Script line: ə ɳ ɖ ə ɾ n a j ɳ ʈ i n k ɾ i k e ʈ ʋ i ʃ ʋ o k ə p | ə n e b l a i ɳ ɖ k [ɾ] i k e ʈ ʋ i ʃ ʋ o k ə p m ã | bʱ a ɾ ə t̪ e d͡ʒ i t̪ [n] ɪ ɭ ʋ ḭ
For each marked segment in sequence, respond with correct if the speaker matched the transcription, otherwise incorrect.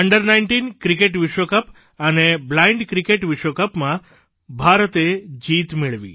correct, incorrect

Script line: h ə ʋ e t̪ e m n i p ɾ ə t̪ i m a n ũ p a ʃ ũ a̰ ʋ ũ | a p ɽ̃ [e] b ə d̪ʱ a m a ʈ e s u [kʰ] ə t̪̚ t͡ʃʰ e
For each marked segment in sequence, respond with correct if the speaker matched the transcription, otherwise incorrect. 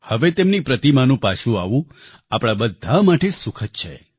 incorrect, correct

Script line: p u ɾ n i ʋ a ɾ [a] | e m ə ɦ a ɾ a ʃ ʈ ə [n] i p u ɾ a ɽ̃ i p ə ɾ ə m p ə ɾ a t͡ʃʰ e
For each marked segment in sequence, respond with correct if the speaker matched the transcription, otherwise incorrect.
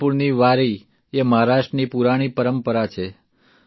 incorrect, correct

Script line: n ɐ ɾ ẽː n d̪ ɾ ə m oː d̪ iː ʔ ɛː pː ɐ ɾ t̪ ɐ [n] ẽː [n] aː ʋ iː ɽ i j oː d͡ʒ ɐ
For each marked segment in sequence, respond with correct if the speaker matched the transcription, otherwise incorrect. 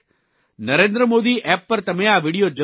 incorrect, incorrect

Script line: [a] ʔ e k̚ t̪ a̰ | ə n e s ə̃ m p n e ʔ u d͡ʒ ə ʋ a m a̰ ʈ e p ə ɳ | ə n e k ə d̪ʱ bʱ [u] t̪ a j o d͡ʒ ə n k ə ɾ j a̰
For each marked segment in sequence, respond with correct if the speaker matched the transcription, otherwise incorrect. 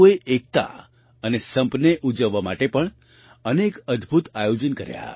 incorrect, correct

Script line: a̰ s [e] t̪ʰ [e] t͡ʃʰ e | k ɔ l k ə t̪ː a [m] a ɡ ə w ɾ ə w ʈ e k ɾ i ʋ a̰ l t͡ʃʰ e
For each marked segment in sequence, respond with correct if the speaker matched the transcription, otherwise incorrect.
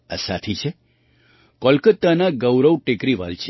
incorrect, incorrect, incorrect

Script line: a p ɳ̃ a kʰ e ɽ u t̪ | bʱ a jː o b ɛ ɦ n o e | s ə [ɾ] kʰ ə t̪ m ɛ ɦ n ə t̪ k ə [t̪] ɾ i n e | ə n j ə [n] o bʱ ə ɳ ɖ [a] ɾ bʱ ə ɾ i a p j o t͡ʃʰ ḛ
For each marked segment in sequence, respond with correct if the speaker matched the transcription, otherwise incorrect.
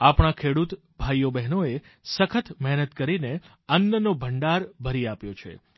incorrect, incorrect, correct, correct

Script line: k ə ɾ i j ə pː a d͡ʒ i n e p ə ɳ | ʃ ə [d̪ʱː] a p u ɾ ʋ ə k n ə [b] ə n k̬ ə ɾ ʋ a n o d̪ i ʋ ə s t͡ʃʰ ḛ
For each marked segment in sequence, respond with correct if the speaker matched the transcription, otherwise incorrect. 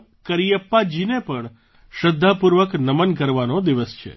correct, incorrect

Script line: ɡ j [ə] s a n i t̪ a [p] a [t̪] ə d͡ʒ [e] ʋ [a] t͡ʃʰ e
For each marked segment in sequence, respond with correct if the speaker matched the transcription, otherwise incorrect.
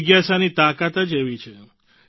incorrect, incorrect, correct, correct, incorrect

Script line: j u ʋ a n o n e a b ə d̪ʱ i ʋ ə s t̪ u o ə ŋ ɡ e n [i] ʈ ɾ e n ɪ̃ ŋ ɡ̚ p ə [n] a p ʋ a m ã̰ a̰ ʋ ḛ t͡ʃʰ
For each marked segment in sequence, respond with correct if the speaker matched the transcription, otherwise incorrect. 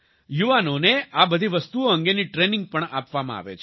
correct, incorrect

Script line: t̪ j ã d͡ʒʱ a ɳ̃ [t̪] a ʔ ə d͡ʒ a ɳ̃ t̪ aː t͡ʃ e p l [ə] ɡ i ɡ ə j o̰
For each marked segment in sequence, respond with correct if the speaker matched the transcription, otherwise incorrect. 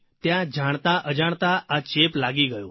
correct, incorrect

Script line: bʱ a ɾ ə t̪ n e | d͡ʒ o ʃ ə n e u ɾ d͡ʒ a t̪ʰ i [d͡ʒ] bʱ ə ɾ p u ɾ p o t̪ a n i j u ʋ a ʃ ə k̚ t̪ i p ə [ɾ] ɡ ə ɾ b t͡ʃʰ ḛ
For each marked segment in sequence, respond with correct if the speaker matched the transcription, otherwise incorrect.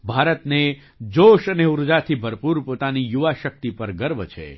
incorrect, correct

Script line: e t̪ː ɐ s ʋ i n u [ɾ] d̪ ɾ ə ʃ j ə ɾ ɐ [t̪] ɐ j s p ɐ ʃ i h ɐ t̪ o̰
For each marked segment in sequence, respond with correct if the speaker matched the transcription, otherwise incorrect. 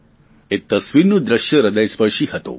incorrect, incorrect

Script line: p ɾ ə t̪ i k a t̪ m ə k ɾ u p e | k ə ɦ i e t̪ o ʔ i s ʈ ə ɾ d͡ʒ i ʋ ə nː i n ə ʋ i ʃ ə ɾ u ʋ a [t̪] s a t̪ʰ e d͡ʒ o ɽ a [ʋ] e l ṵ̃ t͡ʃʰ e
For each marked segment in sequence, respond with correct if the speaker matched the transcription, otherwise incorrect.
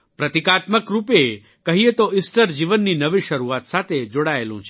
correct, incorrect

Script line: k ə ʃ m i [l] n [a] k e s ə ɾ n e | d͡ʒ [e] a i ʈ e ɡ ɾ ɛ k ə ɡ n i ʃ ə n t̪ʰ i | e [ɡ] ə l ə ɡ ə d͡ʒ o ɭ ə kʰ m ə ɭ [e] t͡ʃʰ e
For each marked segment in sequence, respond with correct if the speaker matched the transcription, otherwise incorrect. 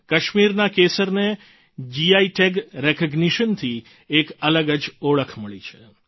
incorrect, correct, incorrect, incorrect, incorrect

